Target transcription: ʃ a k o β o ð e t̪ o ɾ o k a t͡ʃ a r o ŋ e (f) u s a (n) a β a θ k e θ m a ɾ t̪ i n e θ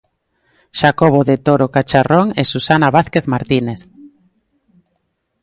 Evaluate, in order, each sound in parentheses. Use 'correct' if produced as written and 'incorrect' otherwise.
incorrect: s, correct

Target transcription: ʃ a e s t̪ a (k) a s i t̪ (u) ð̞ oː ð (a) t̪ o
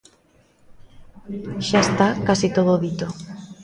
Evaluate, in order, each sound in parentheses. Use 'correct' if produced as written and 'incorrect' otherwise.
correct, incorrect: o, incorrect: i

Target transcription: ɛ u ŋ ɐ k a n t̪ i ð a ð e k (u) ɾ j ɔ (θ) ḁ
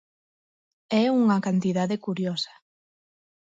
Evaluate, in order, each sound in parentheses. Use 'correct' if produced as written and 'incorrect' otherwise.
correct, incorrect: s

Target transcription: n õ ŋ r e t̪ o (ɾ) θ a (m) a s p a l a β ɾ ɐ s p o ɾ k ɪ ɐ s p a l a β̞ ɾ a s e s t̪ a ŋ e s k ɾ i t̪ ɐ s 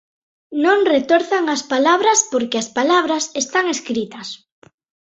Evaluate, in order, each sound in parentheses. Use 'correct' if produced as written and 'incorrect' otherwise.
correct, incorrect: ŋ

